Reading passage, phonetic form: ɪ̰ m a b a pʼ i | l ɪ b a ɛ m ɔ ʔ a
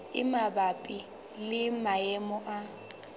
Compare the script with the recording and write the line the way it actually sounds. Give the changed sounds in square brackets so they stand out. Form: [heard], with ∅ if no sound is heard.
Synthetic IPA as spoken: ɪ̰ m a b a pʼ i | l ɪ [m] a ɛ m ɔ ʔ a

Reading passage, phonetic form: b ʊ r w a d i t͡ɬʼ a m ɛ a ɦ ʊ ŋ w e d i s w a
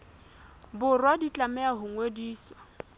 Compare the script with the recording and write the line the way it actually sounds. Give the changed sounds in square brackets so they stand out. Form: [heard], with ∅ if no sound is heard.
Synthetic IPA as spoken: b ʊ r w a d i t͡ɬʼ a m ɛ a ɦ ʊ ŋ w e d [iː] s w a

